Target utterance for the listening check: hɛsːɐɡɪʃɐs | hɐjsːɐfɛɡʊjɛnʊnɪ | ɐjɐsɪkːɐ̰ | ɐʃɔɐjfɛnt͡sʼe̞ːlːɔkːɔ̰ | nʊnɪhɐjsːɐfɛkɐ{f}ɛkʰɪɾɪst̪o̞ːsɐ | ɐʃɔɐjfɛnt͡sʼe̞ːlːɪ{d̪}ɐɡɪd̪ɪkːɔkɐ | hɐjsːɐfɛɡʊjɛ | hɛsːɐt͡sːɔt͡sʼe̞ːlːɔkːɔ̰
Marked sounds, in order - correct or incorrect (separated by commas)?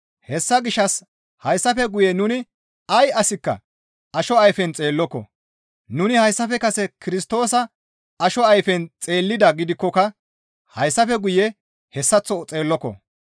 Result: incorrect, correct